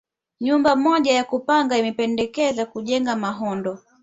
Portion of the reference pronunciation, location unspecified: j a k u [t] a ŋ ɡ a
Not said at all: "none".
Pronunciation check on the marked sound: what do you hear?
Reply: p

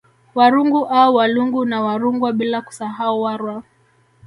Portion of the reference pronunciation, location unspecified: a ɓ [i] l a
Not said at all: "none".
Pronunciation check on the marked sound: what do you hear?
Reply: i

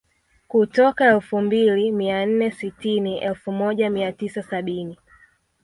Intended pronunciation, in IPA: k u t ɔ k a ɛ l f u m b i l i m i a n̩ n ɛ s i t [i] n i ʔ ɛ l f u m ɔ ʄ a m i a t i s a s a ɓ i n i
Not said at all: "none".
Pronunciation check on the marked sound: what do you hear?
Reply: i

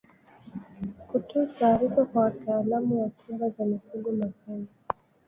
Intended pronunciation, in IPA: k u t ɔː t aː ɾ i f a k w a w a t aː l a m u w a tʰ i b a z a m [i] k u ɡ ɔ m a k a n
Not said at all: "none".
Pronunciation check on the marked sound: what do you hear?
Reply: i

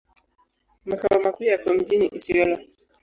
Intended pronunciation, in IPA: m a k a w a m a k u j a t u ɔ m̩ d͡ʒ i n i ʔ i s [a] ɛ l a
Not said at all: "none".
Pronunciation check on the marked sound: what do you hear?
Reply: i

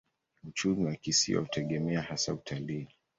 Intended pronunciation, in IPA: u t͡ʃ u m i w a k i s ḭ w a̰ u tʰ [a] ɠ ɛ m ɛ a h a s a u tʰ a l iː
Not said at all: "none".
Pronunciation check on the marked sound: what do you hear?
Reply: ɛ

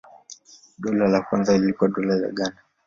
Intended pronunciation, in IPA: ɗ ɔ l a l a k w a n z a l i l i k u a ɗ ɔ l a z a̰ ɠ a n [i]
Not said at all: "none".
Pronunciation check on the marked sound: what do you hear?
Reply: a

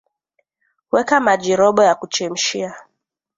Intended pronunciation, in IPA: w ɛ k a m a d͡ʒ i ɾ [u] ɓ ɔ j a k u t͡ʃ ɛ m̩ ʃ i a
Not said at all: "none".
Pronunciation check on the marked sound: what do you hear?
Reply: ɔ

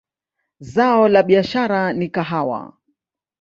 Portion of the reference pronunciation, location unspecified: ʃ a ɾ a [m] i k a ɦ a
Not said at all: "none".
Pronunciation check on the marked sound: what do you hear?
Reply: n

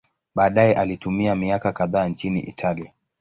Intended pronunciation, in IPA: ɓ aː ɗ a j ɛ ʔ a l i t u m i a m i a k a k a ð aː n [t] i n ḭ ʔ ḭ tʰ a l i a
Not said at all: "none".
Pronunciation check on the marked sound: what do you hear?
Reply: t͡ʃ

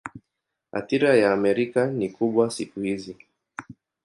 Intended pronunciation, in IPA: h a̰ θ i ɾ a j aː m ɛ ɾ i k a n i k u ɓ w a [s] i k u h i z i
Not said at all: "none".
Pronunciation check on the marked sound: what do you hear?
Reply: s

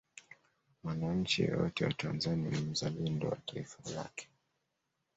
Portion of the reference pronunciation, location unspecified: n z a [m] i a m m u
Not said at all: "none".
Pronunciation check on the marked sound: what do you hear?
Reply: n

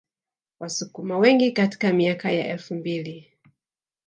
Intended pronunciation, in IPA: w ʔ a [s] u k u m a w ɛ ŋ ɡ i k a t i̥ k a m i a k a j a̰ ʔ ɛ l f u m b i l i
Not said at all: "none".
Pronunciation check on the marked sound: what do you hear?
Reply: s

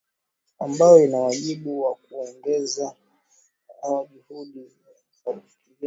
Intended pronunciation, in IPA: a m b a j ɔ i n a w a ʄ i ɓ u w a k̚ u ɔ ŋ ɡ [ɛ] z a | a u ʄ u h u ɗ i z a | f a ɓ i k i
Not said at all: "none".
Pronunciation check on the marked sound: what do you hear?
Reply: ɛ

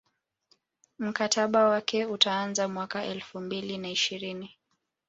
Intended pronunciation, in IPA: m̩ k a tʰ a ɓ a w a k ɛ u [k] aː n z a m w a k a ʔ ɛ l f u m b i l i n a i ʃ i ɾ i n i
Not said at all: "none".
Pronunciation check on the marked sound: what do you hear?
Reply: t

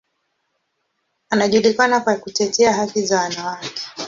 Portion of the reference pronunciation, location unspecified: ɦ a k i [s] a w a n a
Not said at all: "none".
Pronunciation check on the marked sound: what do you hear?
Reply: z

